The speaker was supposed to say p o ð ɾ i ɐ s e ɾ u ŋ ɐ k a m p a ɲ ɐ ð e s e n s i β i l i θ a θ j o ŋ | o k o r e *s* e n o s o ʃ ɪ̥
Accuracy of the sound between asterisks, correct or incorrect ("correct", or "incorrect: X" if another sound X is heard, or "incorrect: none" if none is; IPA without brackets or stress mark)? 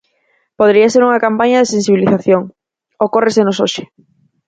correct